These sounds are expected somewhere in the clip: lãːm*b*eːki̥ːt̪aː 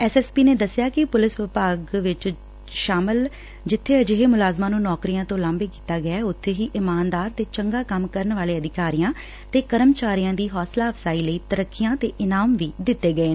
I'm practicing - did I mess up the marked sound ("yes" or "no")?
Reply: no